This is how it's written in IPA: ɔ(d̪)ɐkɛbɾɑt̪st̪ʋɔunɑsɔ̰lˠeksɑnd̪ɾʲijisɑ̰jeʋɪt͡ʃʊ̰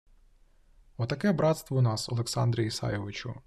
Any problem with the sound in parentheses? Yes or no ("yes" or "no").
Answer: yes